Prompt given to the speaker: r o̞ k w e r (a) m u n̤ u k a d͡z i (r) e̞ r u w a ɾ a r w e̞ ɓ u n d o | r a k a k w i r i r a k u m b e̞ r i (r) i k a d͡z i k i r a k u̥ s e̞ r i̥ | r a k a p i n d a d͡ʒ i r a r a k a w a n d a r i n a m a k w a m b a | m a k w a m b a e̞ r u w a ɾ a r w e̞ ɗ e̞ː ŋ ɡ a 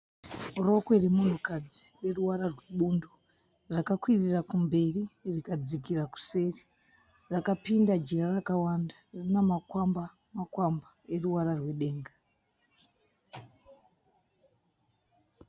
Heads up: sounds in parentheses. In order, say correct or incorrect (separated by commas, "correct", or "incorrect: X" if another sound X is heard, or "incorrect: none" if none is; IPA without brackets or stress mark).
incorrect: e, correct, correct